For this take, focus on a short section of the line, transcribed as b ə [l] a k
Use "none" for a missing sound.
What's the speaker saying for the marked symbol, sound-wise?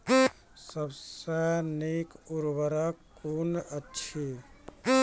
ɾ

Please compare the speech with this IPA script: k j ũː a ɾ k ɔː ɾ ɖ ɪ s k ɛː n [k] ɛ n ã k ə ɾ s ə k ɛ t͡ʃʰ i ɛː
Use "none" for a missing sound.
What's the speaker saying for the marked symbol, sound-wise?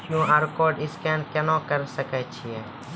k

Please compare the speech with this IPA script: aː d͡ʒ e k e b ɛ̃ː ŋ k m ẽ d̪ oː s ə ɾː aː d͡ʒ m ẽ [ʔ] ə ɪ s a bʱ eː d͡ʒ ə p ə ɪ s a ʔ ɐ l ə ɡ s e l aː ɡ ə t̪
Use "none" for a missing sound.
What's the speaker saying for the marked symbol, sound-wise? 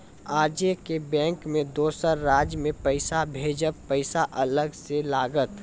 p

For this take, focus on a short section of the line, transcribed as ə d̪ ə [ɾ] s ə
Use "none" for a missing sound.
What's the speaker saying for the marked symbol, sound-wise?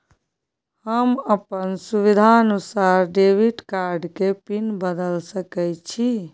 l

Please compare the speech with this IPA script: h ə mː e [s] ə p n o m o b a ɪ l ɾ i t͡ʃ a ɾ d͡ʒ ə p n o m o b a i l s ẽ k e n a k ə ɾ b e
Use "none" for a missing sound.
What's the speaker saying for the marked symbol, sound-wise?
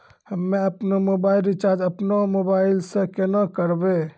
none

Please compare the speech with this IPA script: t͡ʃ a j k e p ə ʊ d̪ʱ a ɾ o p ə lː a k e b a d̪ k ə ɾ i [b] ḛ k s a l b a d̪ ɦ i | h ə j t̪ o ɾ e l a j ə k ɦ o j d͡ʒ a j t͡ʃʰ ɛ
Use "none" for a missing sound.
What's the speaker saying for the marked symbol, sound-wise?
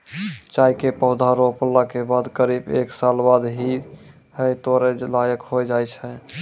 b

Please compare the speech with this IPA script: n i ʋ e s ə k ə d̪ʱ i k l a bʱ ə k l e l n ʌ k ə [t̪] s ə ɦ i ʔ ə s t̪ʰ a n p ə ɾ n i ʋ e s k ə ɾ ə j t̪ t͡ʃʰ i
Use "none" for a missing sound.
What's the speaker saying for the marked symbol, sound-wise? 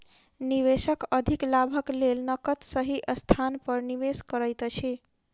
t̪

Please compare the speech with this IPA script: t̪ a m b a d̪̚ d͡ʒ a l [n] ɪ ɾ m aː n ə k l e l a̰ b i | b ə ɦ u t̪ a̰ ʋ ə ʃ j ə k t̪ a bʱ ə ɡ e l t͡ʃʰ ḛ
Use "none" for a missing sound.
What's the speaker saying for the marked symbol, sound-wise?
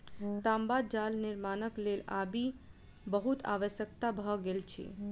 n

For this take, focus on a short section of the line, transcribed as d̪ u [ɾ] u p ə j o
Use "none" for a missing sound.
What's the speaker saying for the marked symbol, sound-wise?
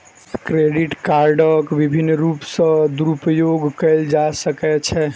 ɾ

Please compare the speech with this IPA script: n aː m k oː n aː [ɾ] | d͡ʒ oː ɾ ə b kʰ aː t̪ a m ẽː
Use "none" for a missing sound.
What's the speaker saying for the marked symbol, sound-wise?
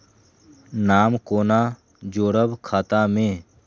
none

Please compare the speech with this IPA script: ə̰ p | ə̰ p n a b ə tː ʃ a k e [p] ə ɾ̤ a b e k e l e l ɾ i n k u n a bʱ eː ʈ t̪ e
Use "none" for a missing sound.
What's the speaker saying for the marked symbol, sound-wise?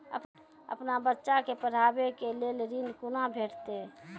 p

